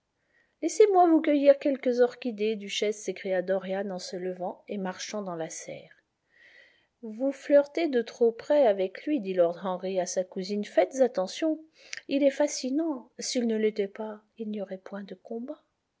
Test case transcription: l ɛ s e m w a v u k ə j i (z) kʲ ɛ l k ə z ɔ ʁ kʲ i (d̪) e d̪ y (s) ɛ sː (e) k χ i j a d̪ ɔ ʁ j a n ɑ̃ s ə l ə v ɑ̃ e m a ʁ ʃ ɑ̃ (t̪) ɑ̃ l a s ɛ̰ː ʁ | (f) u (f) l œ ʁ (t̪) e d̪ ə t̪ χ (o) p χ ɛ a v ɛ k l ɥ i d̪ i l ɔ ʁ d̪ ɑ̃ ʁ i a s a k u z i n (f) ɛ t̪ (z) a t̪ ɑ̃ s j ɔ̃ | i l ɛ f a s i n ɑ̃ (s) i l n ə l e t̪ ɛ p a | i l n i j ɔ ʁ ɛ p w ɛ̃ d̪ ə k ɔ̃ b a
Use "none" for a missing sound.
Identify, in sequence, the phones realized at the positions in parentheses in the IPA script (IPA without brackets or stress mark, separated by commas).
ʁ, d̪, ʃ, e, d̪, v, f, t̪, o, f, z, s